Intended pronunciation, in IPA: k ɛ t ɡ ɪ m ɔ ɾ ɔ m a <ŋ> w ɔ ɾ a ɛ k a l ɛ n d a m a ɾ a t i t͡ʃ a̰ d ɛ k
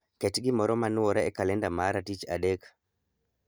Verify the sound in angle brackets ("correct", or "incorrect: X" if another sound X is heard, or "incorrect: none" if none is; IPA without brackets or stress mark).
incorrect: n